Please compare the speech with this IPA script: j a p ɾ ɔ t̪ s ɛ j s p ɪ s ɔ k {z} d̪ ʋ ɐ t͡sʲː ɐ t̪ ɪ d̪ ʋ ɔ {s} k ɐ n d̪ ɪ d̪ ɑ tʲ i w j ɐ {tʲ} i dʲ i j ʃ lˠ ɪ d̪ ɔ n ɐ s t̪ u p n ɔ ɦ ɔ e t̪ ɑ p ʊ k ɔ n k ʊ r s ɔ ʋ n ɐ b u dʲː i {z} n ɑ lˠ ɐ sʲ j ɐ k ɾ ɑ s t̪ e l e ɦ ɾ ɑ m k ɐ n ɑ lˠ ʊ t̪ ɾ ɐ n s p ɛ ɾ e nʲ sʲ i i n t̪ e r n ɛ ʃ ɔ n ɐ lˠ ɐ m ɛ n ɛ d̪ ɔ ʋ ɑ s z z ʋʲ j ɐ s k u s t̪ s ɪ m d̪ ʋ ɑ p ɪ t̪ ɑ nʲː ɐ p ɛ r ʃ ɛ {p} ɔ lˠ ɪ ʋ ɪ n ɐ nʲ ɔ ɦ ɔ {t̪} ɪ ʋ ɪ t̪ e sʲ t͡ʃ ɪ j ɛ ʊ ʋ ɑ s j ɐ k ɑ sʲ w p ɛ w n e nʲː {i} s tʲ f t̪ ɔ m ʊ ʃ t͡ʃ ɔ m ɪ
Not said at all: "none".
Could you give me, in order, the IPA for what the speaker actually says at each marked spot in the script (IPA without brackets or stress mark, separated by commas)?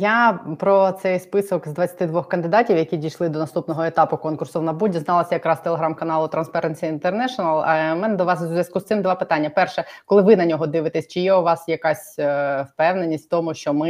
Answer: z, x, kʲ, z, k, d̪, i